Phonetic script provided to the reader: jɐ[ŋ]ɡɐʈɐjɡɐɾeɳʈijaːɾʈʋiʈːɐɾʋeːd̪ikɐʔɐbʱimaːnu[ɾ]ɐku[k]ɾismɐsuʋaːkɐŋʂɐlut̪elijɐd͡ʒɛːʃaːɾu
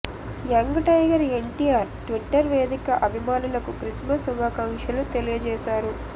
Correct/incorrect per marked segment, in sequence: correct, incorrect: l, correct

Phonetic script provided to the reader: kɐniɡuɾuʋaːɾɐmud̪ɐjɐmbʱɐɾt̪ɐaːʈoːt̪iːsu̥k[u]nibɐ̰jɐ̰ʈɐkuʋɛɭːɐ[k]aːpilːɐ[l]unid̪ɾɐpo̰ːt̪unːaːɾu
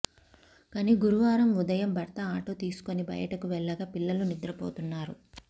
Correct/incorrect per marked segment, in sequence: incorrect: o, incorrect: ɡ, correct

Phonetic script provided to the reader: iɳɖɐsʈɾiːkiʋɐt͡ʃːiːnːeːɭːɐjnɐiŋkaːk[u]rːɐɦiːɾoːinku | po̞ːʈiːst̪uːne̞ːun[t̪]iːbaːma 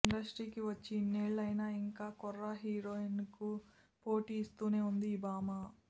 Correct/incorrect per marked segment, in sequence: incorrect: ɔ, incorrect: d̪

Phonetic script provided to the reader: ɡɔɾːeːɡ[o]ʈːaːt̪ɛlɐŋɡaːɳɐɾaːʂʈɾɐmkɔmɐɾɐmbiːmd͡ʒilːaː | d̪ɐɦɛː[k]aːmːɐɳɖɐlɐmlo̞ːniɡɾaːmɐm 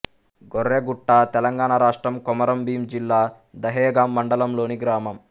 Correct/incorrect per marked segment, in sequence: incorrect: u, incorrect: ɡ

